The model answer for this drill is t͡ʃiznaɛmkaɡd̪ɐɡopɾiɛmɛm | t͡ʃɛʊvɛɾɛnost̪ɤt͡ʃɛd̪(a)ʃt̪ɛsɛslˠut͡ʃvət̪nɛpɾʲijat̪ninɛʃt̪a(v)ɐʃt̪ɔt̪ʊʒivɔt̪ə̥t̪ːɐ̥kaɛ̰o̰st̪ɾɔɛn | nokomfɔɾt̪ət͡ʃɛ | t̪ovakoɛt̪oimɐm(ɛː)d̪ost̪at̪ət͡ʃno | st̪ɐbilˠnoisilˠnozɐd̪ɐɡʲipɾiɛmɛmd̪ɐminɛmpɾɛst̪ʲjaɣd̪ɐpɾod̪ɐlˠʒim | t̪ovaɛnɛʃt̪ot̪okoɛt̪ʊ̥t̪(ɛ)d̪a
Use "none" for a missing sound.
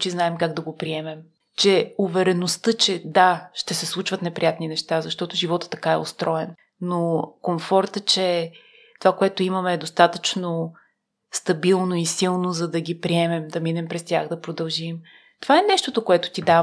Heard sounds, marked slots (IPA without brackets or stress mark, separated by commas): a, z, ɛː, i